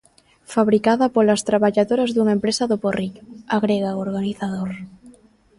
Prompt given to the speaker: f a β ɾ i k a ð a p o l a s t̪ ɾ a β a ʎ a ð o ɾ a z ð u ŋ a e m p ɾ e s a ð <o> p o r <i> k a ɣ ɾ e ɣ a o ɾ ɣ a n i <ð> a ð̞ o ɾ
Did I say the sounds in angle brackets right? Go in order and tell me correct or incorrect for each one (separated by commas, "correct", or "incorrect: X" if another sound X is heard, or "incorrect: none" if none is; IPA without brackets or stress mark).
correct, correct, incorrect: θ